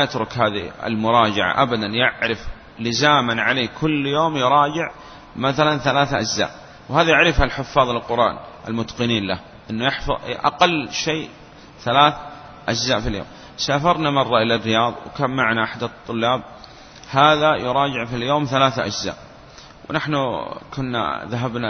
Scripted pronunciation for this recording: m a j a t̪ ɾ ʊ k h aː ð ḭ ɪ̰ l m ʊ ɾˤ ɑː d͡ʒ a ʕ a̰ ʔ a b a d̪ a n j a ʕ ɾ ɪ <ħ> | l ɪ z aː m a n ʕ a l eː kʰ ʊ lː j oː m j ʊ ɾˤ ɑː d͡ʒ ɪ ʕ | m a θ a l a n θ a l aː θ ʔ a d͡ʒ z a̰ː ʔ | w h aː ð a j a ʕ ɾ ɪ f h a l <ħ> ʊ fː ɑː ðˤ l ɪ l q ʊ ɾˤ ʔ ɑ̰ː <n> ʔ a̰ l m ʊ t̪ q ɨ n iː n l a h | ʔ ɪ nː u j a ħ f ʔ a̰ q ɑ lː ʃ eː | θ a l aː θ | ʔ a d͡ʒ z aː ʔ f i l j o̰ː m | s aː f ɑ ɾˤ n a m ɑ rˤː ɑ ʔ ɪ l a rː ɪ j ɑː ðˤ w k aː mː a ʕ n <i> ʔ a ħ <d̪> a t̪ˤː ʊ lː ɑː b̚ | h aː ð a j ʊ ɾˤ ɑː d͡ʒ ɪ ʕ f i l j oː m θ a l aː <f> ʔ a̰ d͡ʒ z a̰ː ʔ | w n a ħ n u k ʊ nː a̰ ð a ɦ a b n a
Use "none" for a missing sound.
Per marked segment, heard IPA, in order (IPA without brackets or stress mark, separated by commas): f, ħ, n, a, d̪, θ